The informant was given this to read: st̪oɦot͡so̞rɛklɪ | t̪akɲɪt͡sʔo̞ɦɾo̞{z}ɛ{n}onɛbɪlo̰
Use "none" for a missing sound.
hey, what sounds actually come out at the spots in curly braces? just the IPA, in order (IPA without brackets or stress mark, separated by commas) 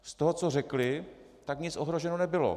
ʒ, n